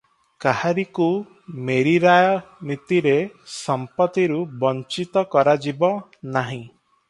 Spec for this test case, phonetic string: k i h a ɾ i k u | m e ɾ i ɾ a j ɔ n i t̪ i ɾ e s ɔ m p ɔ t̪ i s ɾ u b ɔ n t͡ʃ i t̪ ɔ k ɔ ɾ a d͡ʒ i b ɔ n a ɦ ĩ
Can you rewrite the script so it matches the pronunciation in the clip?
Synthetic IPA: k a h a ɾ i k u | m e ɾ i ɾ a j ɔ n i t̪ i ɾ e s ɔ m p ɔ t̪ i ɾ u b ɔ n t͡ʃ i t̪ ɔ k ɔ ɾ a d͡ʒ i b ɔ n a ɦ ĩ

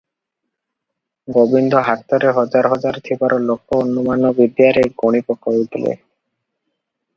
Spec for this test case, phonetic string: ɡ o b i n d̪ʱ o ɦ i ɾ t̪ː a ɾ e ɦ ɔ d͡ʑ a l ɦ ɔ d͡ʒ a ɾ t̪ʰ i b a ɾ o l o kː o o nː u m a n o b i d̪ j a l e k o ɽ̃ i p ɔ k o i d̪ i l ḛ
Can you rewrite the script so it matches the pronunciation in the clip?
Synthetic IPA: ɡ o b i n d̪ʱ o ɦ a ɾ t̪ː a ɾ e ɦ ɔ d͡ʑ a ɾ ɦ ɔ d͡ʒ a ɾ t̪ʰ i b a ɾ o l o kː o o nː u m a n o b i d̪ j a ɾ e ɡ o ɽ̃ i p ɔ k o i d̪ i l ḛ

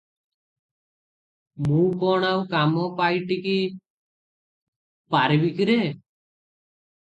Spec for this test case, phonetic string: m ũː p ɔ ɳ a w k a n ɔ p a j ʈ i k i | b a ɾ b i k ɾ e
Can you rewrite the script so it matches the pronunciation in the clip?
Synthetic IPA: m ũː k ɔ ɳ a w k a m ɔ p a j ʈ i k i | p a ɾ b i k ɾ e

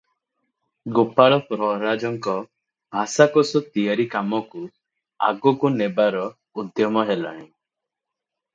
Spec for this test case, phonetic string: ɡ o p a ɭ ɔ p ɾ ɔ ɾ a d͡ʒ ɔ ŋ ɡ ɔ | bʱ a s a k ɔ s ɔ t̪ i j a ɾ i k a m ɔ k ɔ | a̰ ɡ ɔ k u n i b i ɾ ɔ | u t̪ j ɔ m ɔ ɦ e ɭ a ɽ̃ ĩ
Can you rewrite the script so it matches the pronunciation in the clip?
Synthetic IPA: ɡ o p a ɭ ɔ p ɾ ɔ ɾ a d͡ʒ ɔ ŋ k ɔ | bʱ a s a k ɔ s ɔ t̪ i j a ɾ i k a m ɔ k u | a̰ ɡ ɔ k u n e b a ɾ ɔ | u d̪ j ɔ m ɔ ɦ e l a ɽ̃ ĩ

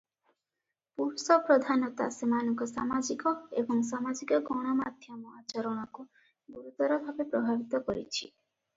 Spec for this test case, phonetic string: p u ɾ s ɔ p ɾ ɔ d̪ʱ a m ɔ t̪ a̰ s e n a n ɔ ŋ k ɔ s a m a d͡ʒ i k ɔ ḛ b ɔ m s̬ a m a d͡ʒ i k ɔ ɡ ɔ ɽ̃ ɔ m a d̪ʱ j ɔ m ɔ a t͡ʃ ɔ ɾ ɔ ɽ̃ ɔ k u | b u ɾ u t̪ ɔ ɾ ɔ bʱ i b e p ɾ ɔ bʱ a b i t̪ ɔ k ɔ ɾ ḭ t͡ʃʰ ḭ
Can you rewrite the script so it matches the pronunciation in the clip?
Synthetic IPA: p u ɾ s ɔ p ɾ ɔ d̪ʱ a n ɔ t̪ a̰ s e m a n ɔ ŋ k ɔ s a m a d͡ʒ i k ɔ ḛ b ɔ ŋ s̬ a m a d͡ʒ i k ɔ ɡ ɔ ɽ̃ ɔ m a d̪ʱ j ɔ m ɔ a t͡ʃ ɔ ɾ ɔ ɽ̃ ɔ k u | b u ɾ u t̪ ɔ ɾ ɔ bʱ a b e p ɾ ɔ bʱ a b i t̪ ɔ k ɔ ɾ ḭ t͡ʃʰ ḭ

